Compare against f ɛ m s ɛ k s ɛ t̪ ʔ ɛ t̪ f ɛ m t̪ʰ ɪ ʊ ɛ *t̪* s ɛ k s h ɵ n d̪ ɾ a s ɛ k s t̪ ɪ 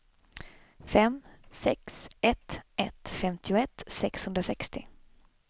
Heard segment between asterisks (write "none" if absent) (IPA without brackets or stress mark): t̪